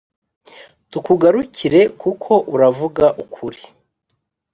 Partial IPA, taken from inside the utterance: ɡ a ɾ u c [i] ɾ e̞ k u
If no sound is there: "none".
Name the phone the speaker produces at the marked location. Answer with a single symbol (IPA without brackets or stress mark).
i